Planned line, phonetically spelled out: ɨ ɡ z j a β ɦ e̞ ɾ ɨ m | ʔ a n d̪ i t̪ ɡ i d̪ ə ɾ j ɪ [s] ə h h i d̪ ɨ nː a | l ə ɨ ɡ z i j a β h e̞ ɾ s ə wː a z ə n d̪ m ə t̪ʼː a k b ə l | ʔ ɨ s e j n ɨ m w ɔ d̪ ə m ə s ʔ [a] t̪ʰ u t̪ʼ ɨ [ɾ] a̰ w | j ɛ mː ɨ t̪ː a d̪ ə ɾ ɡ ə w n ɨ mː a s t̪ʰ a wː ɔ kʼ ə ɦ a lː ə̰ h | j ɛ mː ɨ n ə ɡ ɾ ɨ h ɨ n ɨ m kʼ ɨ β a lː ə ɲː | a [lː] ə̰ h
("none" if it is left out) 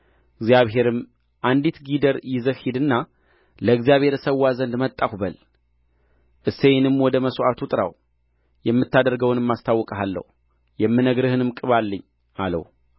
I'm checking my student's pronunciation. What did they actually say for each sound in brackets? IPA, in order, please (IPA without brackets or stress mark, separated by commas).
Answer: z, a, ɾ, l